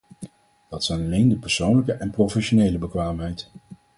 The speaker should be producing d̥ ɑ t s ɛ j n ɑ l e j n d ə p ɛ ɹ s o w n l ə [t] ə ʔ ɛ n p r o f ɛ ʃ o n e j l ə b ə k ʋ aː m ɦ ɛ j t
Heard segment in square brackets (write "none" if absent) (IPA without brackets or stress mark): k